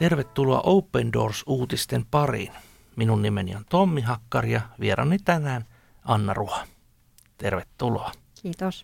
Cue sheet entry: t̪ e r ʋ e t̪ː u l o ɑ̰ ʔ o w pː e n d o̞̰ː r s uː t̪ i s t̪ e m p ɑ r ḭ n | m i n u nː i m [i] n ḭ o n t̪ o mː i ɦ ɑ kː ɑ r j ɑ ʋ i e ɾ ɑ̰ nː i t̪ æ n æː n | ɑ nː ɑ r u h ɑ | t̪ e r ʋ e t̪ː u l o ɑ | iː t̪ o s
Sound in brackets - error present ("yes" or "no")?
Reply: yes